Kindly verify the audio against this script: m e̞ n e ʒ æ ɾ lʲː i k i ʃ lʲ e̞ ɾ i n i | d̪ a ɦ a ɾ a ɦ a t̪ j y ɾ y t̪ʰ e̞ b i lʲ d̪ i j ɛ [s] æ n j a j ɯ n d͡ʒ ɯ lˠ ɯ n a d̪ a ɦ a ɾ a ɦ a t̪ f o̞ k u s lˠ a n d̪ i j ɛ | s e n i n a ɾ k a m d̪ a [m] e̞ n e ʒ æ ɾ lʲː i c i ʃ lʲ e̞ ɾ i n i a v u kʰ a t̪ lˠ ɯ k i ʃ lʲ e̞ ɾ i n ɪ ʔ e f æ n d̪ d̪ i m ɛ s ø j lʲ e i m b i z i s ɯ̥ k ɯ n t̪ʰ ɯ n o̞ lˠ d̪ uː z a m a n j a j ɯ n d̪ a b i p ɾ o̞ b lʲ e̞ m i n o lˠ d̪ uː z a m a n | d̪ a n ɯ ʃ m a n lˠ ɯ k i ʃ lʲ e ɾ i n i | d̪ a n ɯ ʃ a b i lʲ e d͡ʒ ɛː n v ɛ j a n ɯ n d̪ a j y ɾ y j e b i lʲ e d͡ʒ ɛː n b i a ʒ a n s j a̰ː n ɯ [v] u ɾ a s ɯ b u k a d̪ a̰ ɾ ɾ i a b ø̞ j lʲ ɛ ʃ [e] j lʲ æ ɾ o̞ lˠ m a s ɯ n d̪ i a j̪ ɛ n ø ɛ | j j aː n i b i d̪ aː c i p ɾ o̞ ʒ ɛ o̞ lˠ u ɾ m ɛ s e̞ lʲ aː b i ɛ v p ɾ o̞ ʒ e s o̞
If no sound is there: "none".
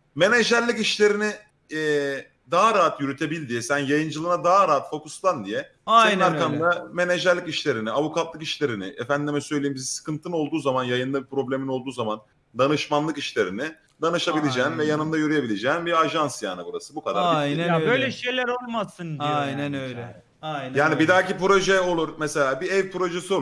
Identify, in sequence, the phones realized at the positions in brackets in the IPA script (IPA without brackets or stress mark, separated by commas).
s, m, b, e